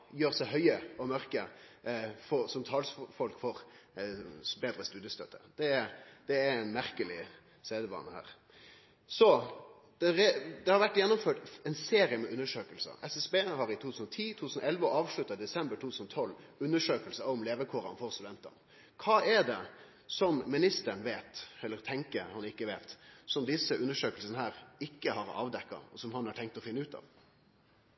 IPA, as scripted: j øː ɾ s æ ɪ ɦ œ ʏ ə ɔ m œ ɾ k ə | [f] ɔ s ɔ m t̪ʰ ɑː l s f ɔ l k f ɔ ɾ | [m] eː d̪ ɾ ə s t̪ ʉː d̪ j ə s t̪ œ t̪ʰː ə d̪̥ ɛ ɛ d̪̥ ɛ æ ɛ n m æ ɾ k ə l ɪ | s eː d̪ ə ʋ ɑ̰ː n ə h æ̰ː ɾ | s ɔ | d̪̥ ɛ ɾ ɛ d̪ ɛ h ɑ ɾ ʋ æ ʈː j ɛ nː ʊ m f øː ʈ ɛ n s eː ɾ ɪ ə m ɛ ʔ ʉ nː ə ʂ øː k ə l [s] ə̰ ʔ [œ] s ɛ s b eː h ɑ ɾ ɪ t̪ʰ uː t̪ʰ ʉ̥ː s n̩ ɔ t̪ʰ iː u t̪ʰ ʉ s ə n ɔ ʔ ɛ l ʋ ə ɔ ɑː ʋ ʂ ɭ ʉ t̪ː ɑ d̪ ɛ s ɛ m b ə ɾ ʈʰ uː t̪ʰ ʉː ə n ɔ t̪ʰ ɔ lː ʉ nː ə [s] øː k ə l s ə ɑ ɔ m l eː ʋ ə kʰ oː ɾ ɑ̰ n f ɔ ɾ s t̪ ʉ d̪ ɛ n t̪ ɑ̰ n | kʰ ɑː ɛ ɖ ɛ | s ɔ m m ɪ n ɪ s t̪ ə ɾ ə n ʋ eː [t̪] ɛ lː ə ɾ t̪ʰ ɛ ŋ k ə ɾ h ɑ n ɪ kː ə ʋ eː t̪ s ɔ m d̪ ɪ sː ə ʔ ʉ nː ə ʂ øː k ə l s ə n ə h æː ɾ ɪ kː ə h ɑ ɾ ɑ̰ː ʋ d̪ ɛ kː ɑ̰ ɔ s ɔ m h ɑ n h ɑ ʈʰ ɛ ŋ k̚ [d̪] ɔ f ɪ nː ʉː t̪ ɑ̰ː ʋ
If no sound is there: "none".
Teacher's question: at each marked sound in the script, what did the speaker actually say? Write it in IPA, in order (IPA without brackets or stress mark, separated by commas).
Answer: f, b, s, ɛ, ʂ, t̪, t̪